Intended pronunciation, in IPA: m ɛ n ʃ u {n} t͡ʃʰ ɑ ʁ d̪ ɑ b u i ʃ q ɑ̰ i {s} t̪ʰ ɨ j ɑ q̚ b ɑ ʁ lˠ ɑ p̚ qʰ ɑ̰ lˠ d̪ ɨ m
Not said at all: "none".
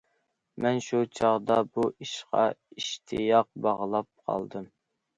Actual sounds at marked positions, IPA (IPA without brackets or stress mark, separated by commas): none, ʃ